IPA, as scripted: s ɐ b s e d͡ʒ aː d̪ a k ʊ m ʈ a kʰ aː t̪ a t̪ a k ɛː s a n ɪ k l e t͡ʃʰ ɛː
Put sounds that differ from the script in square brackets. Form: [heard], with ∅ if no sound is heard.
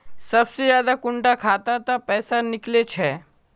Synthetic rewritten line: s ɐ b s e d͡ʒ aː d̪ a k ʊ [ɳ] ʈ a kʰ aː t̪ a t̪ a [p] ɛː s a n ɪ k l e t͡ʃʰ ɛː